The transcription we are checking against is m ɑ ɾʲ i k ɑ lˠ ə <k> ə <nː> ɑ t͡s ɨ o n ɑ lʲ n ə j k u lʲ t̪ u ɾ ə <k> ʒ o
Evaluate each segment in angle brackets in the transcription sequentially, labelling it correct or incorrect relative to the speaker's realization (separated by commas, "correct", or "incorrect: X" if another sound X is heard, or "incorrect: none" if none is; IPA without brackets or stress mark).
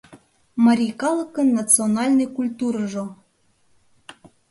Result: correct, correct, incorrect: none